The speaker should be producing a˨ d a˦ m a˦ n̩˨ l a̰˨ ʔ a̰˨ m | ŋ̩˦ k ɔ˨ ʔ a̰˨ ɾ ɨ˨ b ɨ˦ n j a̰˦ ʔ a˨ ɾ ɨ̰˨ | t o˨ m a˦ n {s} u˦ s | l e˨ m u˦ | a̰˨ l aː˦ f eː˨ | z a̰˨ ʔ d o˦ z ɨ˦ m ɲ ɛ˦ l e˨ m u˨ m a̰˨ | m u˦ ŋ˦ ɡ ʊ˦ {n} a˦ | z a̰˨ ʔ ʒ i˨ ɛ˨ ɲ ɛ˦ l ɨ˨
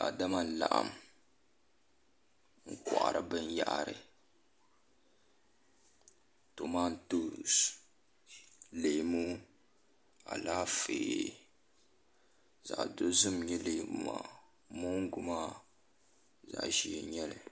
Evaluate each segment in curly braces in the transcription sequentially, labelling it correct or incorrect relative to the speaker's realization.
incorrect: t, incorrect: m

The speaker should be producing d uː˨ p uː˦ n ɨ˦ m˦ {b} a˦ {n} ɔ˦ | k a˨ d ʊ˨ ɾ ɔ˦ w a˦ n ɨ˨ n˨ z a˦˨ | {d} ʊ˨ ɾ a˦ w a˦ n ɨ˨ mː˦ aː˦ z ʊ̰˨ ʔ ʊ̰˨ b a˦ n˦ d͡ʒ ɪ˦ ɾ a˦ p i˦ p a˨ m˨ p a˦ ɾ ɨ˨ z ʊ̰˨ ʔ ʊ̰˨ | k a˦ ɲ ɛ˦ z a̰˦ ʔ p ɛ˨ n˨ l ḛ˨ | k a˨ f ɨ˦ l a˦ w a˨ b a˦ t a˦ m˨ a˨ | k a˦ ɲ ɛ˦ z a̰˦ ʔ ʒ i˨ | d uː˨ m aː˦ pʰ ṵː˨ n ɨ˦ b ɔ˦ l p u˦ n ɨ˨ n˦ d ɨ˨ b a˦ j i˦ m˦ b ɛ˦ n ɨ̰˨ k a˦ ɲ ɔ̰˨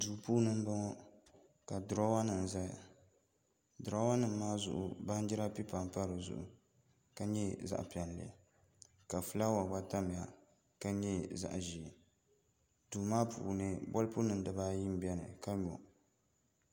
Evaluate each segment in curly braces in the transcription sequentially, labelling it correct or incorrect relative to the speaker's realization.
correct, incorrect: ŋ, correct

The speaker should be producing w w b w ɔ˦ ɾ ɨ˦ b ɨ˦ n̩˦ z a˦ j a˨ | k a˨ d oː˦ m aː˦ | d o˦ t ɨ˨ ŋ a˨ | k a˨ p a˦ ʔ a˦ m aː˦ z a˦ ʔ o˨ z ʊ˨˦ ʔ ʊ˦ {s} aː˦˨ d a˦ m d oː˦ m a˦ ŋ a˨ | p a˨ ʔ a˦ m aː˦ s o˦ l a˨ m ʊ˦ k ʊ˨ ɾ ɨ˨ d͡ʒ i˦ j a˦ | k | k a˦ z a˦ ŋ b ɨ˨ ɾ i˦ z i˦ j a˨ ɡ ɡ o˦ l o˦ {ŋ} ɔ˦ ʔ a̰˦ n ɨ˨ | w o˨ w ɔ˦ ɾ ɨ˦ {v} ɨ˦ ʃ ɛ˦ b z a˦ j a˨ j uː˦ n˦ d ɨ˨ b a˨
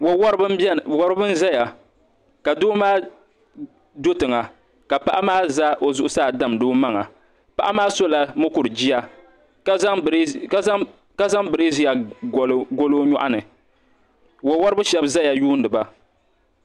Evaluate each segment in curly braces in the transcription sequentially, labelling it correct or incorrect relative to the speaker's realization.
correct, incorrect: ɲ, incorrect: b

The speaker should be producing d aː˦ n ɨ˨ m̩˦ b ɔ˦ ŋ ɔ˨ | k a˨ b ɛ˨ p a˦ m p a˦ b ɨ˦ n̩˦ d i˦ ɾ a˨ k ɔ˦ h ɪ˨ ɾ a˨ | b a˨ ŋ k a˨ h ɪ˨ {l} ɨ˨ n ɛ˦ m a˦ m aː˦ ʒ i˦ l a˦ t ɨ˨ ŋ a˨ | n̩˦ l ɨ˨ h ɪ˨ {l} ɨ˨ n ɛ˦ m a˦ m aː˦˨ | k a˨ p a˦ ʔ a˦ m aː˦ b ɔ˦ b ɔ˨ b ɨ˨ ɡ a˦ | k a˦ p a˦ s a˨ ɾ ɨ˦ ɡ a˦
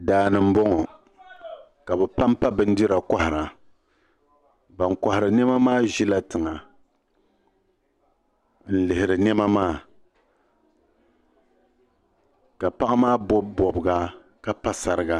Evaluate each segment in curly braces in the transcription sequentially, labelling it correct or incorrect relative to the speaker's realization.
incorrect: ɾ, incorrect: ɾ

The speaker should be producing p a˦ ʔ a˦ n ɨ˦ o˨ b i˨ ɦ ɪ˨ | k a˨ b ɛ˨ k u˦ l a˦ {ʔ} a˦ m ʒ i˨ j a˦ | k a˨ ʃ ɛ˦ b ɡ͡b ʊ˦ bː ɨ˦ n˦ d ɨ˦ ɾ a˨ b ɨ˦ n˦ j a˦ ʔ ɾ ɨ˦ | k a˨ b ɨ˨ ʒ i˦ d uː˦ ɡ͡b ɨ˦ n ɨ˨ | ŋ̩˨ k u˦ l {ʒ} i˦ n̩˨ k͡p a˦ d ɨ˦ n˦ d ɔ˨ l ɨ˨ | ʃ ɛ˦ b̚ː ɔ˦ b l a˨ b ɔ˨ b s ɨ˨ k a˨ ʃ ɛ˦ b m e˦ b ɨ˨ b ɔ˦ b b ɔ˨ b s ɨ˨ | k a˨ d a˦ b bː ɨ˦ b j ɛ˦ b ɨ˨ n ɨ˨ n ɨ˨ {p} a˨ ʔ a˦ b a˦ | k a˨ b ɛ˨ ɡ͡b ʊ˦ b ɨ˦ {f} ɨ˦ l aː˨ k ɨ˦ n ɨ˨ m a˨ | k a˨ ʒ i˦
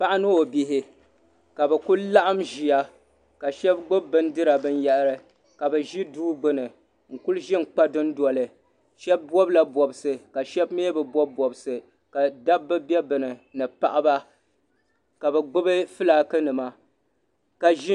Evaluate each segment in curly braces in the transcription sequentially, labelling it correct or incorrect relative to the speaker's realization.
correct, correct, correct, correct

